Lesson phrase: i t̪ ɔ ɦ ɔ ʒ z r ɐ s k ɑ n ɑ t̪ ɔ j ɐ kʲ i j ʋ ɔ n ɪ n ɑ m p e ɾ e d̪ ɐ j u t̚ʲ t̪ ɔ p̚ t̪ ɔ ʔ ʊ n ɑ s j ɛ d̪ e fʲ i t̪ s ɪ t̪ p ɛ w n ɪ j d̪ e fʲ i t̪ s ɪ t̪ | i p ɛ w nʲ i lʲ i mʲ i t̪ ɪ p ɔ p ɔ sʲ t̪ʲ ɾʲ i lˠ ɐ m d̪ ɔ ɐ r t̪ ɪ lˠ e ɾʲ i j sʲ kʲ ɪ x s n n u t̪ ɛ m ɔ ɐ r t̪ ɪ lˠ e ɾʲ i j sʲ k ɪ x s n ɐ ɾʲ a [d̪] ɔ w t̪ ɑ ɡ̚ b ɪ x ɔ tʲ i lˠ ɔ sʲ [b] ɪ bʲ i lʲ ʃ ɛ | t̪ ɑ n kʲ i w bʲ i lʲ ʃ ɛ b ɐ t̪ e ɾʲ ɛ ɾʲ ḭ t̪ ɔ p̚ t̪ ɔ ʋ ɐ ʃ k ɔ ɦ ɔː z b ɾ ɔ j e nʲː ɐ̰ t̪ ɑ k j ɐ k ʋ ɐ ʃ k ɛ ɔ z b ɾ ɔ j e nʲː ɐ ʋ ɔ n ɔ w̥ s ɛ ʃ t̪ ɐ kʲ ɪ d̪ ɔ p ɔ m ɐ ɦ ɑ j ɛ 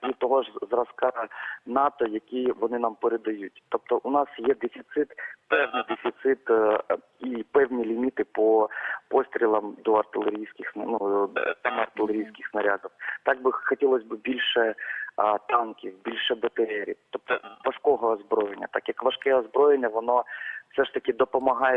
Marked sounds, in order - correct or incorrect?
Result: correct, correct

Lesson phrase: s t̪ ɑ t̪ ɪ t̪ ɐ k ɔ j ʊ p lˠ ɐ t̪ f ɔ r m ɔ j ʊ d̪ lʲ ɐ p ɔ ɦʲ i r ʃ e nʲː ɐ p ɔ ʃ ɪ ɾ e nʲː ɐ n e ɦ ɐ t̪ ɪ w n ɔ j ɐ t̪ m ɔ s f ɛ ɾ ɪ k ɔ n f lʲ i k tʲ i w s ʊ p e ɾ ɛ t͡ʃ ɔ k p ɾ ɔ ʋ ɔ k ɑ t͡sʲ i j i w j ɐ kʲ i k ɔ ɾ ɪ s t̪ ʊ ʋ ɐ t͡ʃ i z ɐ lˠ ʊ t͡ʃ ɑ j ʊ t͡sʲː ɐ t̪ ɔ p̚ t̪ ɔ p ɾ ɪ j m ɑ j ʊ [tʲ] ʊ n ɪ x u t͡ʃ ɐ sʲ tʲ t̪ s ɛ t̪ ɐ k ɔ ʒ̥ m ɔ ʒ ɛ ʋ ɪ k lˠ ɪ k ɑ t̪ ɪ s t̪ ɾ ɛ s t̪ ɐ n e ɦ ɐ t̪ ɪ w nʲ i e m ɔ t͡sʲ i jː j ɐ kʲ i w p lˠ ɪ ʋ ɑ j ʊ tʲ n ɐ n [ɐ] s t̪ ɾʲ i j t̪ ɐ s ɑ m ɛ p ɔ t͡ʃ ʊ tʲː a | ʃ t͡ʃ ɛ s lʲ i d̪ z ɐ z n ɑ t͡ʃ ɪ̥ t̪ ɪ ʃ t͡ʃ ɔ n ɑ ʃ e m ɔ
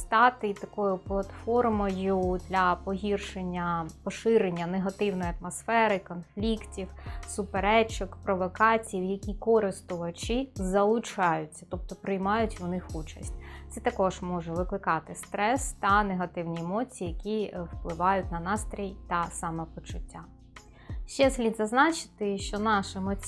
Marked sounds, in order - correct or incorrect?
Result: correct, incorrect: ɑ

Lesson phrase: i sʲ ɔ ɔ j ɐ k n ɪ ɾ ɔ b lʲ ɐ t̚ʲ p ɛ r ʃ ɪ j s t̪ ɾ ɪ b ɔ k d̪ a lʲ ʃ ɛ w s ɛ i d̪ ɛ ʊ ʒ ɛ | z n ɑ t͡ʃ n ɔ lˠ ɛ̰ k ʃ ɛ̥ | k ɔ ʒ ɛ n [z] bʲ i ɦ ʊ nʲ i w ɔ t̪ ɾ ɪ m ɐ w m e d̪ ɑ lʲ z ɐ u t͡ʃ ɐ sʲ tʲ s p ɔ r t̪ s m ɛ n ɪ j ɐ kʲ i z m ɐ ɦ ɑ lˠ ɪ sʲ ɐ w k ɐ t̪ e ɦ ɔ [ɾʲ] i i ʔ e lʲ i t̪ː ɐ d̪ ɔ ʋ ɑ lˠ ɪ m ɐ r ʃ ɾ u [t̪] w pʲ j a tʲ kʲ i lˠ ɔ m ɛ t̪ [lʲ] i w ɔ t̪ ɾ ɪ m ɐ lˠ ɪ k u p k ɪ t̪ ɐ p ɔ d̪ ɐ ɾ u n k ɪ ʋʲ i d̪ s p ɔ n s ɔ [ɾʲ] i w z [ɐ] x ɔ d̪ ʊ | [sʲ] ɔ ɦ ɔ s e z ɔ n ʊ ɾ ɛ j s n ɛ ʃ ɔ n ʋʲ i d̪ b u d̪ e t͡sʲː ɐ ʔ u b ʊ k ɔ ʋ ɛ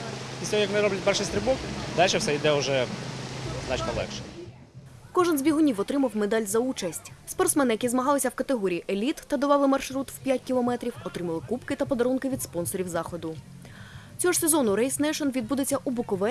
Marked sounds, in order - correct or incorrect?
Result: correct, correct, correct, incorrect: ɾʲ, correct, incorrect: ɑ, incorrect: t͡sʲ

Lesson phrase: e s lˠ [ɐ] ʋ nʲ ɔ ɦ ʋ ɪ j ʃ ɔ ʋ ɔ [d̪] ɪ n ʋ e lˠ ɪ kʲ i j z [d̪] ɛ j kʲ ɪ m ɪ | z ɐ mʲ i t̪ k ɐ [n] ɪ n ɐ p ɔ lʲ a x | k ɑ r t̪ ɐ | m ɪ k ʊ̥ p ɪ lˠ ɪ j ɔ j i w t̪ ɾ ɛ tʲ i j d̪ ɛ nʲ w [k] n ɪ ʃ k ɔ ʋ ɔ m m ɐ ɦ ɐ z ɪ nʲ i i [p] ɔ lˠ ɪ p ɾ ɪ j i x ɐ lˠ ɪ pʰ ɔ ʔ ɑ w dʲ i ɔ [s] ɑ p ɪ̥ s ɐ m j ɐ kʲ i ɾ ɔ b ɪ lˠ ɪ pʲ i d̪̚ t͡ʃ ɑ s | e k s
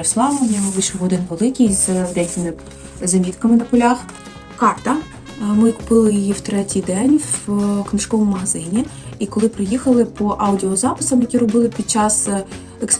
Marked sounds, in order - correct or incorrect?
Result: incorrect: ɑ, correct, correct, incorrect: m, correct, incorrect: k, incorrect: z

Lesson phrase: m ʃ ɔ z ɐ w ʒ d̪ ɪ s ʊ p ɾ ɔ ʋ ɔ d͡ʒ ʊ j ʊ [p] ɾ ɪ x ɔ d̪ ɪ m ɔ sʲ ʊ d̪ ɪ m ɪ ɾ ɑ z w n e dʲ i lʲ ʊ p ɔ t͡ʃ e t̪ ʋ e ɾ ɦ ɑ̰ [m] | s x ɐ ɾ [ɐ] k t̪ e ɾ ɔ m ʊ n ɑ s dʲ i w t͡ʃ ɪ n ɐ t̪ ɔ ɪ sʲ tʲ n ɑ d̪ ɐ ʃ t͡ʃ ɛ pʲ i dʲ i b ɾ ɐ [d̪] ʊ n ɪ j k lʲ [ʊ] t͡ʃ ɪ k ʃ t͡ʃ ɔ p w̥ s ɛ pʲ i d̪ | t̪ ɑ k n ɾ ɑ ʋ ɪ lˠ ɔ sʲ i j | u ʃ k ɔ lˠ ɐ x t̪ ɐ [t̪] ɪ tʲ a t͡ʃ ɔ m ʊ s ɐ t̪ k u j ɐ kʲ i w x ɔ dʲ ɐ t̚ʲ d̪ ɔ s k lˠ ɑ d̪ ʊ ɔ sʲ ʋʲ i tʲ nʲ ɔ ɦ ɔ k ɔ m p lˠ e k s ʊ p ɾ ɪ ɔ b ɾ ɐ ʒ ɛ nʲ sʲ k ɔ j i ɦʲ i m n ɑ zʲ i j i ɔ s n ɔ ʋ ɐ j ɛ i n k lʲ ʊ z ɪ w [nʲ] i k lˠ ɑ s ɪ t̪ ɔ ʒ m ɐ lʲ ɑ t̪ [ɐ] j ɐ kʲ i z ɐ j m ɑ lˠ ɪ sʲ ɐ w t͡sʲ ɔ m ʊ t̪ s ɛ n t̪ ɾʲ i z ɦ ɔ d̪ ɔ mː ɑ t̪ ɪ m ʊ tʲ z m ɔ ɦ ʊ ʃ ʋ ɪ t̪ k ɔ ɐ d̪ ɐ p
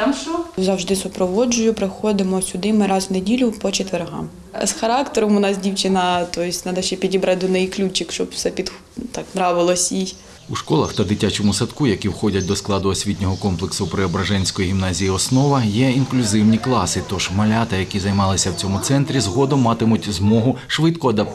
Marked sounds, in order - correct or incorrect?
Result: correct, correct, incorrect: ɑ, correct, incorrect: u, incorrect: d̪, correct, correct

